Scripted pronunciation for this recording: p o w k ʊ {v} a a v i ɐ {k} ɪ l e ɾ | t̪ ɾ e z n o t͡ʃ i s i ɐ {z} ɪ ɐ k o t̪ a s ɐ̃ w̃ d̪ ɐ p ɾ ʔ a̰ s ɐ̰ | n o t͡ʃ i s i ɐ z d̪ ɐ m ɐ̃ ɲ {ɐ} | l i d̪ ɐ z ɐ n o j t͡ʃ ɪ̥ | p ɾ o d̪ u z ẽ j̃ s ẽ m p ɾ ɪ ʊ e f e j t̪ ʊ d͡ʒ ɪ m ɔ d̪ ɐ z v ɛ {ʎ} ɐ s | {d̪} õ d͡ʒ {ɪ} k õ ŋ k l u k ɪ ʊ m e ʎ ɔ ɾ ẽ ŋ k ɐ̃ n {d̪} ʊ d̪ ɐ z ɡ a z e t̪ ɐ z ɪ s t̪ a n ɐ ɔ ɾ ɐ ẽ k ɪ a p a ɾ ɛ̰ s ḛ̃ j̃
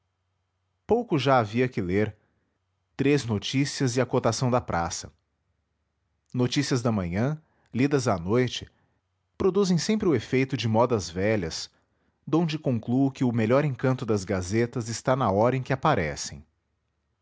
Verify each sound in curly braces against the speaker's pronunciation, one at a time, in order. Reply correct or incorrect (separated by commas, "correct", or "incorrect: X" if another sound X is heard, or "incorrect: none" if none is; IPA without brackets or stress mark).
incorrect: ʒ, correct, correct, incorrect: ɐ̃, correct, correct, correct, incorrect: t̪